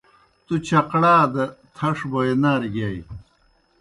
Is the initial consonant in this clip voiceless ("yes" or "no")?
yes